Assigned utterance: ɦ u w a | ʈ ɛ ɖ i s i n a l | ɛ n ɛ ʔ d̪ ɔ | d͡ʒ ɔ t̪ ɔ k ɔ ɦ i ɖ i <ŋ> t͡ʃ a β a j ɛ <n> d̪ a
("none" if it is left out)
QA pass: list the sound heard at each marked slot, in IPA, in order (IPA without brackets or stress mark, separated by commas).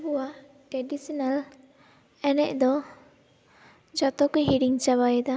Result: ŋ, none